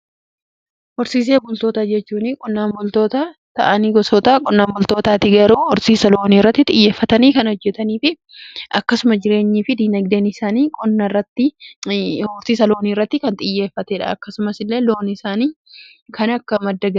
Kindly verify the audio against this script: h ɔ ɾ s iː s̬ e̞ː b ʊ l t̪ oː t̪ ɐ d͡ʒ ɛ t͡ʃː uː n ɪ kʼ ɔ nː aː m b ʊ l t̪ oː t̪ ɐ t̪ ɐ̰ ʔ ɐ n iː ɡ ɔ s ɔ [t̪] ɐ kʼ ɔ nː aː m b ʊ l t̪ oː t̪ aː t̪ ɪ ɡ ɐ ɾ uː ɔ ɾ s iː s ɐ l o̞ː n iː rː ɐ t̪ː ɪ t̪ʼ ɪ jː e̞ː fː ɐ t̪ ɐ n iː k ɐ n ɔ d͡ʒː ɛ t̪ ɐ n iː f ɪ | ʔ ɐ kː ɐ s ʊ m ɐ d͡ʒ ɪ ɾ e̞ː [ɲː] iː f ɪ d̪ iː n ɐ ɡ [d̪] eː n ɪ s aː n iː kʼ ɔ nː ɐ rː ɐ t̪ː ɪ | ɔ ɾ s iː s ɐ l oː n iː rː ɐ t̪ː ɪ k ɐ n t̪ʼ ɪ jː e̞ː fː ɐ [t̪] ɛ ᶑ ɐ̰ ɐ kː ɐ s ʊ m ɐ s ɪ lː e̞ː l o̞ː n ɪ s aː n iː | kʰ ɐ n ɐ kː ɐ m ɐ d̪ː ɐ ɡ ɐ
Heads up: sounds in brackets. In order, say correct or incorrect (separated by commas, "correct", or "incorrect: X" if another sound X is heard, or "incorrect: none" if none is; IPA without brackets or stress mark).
correct, correct, correct, correct